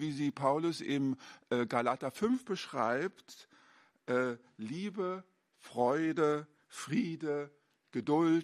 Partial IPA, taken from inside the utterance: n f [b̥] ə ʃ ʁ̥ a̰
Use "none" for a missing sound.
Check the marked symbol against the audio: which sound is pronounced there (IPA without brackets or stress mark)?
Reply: b̥